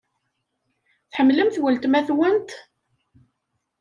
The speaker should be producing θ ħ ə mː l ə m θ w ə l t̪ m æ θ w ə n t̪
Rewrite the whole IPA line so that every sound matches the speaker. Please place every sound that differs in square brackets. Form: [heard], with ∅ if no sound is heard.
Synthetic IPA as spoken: θ ħ ə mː l ə m θ w ə l t̪ m æ θ w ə n t̪